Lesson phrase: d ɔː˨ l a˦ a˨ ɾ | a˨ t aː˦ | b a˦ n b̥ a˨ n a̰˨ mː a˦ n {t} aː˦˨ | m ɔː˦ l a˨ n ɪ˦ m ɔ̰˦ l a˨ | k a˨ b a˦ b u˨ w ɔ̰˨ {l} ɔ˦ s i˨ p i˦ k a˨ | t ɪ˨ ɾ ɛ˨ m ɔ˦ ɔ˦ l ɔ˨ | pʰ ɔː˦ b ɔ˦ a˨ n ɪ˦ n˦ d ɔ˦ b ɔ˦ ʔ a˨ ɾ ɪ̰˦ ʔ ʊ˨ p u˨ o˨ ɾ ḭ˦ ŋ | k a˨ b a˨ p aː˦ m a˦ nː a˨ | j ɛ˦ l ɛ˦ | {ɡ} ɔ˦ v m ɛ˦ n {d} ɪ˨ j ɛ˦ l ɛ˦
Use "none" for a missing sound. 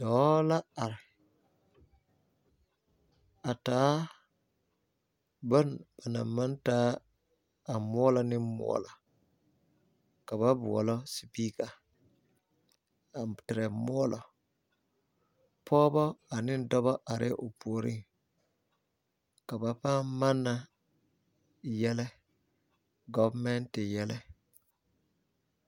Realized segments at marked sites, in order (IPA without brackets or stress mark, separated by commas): t, l, ɡ, t